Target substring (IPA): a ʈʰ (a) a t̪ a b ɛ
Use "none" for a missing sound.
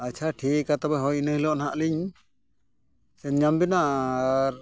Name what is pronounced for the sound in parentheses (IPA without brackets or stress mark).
i